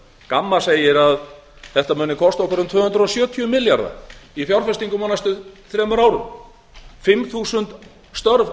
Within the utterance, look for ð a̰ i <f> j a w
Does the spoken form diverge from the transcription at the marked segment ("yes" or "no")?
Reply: no